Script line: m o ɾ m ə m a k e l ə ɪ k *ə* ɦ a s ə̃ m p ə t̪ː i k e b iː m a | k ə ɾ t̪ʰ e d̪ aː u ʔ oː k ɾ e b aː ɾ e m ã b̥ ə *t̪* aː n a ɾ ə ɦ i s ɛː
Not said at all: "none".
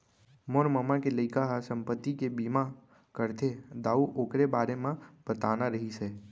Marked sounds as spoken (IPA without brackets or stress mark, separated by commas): a, t̪